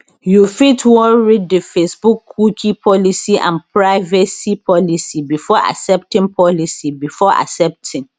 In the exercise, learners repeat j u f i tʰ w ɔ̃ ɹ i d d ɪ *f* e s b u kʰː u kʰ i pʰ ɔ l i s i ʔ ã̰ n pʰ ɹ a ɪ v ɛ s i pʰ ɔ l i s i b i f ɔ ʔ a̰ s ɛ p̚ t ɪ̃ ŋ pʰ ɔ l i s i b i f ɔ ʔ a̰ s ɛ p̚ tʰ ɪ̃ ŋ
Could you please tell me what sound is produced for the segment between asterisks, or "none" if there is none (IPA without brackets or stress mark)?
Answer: f